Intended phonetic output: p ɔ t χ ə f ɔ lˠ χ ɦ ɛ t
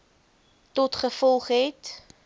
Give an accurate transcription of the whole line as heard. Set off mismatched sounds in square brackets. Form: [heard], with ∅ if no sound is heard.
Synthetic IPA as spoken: [t] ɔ t χ ə f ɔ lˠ χ ɦ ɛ t